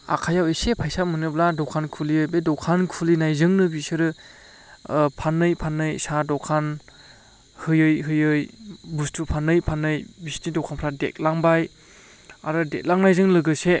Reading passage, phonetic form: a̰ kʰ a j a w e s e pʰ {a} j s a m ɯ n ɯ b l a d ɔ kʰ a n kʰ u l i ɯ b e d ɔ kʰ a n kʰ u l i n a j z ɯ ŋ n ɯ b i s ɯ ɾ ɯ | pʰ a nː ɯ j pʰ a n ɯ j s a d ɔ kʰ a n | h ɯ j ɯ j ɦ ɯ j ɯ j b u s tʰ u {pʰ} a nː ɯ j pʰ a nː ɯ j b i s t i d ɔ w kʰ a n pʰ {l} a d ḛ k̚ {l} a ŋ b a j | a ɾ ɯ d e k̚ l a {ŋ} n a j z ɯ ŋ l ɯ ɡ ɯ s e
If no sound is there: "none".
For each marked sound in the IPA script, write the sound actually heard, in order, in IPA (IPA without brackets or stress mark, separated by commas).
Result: a, pʰ, ɾ, l, ŋ